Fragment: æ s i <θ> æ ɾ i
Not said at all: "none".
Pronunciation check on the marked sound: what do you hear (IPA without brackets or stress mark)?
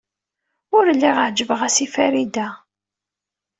f